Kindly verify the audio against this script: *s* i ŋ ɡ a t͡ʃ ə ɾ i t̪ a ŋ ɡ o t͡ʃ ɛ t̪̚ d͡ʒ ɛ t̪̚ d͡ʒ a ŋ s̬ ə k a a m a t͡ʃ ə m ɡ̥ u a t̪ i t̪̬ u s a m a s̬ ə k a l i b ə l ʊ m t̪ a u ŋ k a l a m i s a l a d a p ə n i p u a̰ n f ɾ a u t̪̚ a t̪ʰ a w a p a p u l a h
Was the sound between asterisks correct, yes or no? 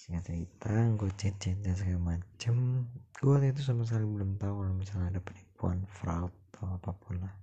yes